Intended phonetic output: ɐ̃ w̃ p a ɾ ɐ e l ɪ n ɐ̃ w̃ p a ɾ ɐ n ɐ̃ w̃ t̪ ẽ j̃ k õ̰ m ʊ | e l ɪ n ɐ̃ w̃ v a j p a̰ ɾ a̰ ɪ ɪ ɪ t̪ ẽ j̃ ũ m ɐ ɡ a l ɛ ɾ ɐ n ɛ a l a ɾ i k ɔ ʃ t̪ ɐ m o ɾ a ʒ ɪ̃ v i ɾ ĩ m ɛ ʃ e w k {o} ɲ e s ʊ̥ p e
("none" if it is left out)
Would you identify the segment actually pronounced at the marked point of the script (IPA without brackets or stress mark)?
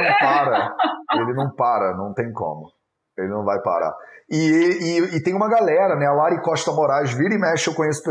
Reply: õ